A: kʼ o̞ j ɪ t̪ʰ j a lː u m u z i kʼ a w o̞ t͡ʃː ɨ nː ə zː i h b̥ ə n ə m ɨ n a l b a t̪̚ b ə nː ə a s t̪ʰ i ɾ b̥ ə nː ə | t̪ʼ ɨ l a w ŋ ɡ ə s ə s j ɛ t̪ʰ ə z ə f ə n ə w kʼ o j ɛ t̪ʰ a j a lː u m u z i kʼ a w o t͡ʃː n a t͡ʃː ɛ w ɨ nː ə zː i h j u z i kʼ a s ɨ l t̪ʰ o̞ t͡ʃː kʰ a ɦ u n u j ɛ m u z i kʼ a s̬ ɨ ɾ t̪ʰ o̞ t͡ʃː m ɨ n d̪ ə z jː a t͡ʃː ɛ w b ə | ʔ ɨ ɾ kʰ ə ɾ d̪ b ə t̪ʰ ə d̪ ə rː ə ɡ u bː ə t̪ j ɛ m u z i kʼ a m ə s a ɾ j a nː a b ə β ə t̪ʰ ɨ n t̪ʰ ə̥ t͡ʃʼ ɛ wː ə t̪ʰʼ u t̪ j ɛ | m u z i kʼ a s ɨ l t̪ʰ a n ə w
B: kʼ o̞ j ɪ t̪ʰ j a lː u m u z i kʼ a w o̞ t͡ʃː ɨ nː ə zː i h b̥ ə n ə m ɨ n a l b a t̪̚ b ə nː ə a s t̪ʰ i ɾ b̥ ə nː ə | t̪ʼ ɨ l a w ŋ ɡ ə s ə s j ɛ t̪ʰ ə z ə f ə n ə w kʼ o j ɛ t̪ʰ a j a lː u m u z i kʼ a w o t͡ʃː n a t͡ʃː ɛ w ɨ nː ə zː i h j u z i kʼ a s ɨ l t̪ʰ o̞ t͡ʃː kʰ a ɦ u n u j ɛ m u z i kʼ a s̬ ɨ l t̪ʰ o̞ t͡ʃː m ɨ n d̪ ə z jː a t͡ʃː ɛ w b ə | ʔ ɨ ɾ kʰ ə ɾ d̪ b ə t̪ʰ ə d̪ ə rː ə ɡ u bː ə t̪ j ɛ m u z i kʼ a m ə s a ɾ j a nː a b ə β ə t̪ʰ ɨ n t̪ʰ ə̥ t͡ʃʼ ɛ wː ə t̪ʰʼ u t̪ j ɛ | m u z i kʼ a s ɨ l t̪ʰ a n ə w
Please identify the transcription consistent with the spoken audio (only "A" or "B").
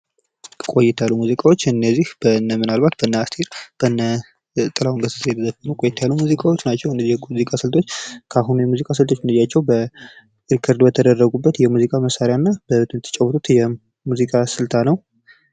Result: B